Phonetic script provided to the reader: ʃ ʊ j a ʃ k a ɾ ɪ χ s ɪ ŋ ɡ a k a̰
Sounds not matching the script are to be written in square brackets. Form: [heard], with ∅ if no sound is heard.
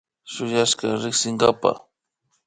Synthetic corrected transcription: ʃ ʊ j a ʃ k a ɾ ɪ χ s ɪ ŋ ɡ a [p] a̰